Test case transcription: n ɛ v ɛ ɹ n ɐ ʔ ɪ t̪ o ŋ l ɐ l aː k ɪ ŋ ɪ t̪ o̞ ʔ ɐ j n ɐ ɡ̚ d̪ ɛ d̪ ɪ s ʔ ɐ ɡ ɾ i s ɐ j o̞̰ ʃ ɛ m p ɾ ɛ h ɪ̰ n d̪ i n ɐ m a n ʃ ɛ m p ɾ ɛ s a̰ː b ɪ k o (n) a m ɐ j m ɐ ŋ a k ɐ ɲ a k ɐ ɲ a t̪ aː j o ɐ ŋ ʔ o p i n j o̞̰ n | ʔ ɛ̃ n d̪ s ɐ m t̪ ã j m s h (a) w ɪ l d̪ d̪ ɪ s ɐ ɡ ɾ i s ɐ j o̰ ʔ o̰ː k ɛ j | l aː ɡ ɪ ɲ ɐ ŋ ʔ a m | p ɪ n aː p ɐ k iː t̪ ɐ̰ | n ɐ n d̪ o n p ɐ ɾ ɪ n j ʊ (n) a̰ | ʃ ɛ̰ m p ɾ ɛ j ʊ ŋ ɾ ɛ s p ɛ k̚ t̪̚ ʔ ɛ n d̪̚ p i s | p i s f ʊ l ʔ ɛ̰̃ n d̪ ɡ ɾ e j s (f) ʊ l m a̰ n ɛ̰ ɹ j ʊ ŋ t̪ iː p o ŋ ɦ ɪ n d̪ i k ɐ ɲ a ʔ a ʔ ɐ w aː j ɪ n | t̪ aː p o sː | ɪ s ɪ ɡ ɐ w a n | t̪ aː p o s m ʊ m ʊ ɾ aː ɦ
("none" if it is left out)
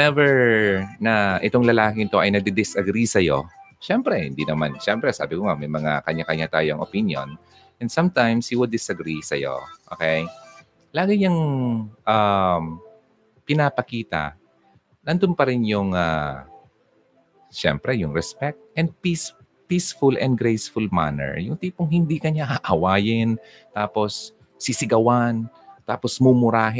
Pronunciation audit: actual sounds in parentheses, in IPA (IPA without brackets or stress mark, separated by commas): ŋ, i, ŋ, f